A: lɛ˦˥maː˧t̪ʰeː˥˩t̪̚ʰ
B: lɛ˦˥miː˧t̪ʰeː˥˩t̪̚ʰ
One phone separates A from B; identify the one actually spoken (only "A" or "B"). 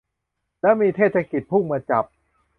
B